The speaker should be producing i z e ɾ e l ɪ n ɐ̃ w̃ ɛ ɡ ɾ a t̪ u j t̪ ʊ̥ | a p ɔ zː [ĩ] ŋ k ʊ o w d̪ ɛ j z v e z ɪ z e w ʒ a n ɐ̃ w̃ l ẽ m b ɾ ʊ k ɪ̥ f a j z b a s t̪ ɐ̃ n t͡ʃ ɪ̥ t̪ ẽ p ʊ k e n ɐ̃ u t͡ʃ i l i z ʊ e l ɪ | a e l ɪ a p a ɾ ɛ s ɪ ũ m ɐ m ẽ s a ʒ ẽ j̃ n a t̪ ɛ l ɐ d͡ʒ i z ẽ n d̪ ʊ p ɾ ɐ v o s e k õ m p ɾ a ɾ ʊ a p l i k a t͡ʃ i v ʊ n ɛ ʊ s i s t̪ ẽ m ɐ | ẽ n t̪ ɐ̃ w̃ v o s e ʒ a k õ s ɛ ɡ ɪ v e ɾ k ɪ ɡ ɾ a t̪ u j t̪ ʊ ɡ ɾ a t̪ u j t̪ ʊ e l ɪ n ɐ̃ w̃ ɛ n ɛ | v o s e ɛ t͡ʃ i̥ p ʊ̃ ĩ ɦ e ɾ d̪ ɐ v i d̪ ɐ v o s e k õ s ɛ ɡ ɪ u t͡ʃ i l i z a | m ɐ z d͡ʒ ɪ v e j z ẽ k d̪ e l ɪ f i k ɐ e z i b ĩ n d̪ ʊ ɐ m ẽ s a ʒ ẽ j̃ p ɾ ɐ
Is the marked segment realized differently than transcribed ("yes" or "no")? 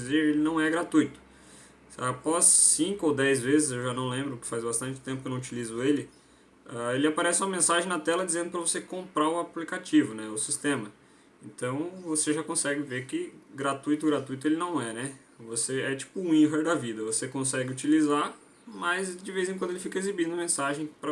no